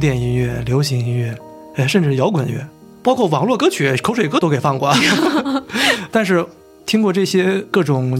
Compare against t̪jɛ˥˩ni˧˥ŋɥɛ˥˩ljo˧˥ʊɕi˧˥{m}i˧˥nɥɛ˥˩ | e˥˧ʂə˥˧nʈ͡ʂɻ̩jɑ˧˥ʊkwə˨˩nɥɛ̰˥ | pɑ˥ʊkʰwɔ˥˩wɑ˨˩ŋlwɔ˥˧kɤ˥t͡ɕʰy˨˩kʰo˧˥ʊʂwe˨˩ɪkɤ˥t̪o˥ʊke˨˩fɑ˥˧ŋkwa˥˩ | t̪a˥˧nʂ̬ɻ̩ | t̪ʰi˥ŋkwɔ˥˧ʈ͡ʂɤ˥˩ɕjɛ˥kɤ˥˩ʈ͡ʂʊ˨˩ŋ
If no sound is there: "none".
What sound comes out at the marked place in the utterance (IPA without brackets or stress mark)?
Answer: ŋ